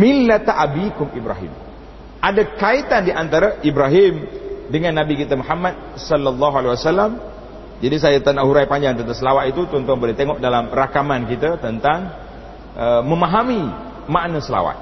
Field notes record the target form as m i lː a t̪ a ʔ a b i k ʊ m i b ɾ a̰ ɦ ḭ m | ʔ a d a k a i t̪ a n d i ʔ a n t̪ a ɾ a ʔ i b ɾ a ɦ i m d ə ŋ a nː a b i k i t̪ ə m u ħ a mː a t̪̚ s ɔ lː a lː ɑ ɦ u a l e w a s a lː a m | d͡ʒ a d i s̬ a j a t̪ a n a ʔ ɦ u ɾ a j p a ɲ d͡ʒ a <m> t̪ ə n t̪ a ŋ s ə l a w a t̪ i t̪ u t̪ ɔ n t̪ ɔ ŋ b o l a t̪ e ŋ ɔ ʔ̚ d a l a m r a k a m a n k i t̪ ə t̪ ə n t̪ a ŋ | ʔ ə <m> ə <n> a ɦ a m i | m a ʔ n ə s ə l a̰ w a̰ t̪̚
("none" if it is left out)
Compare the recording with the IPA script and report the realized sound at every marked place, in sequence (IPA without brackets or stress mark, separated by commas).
ŋ, m, m